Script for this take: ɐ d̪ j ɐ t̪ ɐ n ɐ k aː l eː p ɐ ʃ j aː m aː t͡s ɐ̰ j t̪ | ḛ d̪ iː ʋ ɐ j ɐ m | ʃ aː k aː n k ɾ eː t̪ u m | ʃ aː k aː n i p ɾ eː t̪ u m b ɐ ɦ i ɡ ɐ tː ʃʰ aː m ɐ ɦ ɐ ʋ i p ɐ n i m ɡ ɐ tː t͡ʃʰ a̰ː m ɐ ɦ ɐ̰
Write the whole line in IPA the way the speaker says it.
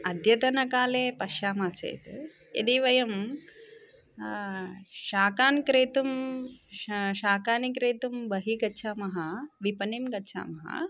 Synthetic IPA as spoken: ɐ d̪ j ɐ t̪ ɐ n ɐ k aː l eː p ɐ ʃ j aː m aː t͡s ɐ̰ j t̪ | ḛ d̪ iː ʋ ɐ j ɐ m | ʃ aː k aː n k ɾ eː t̪ u m | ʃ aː k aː n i k ɾ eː t̪ u m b ɐ ɦ i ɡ ɐ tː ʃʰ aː m ɐ ɦ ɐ ʋ i p ɐ n i m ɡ ɐ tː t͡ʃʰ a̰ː m ɐ ɦ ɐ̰